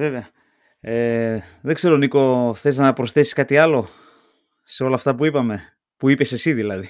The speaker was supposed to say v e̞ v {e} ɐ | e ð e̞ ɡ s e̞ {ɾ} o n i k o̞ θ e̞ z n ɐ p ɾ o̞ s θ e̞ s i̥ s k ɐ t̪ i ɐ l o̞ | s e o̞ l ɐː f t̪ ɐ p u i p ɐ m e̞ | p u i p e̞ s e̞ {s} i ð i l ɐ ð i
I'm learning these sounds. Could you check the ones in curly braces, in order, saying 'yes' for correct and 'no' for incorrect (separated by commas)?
yes, yes, yes